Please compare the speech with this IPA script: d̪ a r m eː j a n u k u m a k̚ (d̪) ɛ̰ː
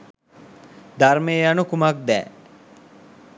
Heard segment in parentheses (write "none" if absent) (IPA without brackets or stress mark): d̪